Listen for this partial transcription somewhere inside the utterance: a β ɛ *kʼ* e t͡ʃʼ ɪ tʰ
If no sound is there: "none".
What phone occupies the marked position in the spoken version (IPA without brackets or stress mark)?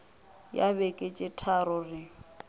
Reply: kʼ